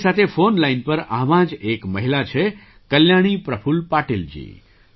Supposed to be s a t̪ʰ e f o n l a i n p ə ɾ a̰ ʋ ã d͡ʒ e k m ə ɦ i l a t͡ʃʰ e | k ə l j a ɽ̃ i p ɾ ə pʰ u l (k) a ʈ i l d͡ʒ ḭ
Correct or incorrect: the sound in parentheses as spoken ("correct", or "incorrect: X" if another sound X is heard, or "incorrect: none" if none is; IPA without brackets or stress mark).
incorrect: p